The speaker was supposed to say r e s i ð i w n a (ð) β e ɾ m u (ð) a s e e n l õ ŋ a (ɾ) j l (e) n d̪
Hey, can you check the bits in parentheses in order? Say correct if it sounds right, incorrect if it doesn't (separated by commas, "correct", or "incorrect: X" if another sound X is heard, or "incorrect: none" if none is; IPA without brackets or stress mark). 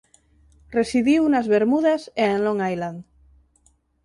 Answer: incorrect: z, correct, incorrect: none, incorrect: a